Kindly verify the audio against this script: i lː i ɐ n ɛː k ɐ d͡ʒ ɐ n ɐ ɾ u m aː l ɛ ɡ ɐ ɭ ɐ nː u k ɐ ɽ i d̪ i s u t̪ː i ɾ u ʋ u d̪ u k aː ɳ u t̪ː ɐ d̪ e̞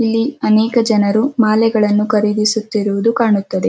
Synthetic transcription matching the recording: i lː i ɐ n ɛː k ɐ d͡ʒ ɐ n ɐ ɾ u m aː l ɛ ɡ ɐ ɭ ɐ nː u k ɐ ɾ i d̪ i s u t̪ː i ɾ u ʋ u d̪ u k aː ɳ u t̪ː ɐ d̪ e̞